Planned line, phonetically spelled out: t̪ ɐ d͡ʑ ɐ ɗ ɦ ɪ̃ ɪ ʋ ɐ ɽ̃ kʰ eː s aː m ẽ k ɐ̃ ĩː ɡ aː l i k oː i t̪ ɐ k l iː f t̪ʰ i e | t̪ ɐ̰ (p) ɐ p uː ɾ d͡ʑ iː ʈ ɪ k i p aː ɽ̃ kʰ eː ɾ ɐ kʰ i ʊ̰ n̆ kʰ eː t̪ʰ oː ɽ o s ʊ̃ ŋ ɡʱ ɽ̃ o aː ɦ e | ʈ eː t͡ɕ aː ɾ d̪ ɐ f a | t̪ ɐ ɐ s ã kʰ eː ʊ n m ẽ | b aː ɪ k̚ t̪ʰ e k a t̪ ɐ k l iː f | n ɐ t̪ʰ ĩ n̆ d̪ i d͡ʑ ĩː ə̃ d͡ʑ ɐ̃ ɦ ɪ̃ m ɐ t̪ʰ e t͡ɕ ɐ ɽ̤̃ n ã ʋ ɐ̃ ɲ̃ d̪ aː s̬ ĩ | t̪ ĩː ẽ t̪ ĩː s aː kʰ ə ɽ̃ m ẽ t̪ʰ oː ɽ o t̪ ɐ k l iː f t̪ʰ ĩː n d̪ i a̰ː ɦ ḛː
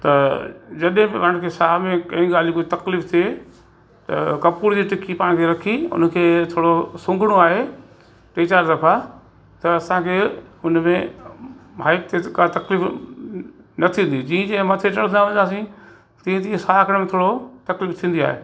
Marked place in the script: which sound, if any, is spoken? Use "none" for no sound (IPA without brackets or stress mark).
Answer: k